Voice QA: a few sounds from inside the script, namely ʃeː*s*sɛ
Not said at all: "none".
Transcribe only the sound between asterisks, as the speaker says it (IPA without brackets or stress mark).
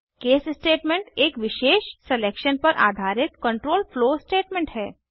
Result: ʃ